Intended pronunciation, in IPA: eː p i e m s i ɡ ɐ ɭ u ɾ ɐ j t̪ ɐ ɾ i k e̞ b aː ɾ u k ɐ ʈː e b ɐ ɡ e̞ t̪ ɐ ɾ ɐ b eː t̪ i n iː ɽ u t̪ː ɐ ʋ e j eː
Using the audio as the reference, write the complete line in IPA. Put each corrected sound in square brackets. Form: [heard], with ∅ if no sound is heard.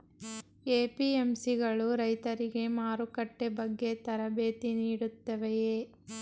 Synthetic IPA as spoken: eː p i e m s i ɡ ɐ ɭ u ɾ ɐ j t̪ ɐ ɾ i [ɡ] e̞ [m] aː ɾ u k ɐ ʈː e b ɐ [ɡː] e̞ t̪ ɐ ɾ ɐ b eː t̪ i n iː ɽ u t̪ː ɐ ʋ e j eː